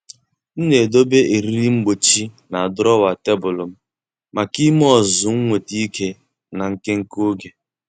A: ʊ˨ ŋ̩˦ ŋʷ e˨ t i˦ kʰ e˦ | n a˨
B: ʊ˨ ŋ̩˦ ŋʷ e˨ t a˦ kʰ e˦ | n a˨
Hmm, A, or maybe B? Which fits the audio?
A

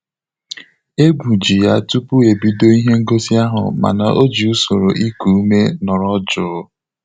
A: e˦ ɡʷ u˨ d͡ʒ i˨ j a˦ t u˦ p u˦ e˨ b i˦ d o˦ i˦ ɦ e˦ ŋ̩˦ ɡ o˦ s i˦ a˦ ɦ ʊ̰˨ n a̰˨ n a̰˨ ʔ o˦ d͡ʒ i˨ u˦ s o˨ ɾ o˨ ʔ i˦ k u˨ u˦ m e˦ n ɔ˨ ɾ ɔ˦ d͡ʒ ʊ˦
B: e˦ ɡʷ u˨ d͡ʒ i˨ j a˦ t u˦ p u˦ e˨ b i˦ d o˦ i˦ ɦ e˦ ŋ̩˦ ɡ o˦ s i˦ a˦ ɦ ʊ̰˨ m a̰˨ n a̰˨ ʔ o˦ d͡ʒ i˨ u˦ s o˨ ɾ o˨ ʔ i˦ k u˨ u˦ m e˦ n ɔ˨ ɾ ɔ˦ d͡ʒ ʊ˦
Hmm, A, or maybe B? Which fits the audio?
B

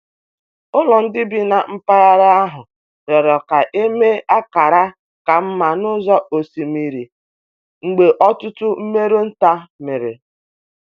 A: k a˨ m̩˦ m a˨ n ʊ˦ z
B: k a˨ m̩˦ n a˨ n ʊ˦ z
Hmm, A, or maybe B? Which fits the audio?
A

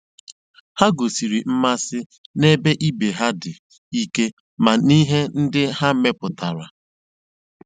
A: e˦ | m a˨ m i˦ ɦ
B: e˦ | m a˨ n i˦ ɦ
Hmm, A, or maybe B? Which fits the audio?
B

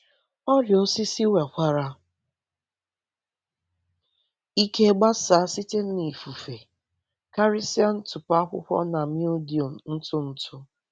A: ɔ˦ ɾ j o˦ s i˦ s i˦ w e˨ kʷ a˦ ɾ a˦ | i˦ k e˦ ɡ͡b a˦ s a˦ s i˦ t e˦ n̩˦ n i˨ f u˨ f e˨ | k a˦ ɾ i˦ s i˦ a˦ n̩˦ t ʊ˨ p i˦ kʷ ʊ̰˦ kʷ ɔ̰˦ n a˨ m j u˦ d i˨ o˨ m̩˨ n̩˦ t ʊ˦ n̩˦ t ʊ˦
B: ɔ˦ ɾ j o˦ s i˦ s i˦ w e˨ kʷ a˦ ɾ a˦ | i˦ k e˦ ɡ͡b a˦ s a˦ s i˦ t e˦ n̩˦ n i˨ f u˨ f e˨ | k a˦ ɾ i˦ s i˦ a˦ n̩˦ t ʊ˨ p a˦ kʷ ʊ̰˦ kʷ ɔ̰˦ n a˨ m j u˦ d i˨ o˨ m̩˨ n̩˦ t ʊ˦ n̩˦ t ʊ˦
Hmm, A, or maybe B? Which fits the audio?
B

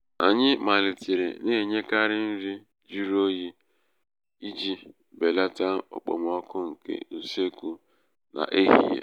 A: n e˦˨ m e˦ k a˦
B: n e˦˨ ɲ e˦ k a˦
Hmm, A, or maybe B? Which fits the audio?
B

